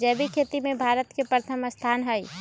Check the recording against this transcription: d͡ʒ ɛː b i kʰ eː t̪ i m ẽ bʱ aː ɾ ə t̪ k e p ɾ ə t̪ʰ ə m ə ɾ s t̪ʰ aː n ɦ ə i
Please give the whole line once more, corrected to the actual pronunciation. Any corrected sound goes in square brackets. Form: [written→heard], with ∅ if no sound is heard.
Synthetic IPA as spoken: d͡ʒ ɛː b i kʰ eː t̪ i m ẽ bʱ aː ɾ ə t̪ k e p ɾ ə t̪ʰ ə m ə [ɾ→∅] s t̪ʰ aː n ɦ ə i